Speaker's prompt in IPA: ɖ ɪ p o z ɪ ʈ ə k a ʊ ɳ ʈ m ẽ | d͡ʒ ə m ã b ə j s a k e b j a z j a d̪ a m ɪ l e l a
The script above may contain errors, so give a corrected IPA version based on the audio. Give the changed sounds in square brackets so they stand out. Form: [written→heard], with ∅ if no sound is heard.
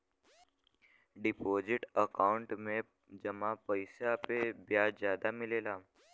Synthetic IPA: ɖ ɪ p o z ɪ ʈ ə k a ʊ ɳ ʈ m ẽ | d͡ʒ ə m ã [b→p] ə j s a [k→p] e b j a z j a d̪ a m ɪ l e l a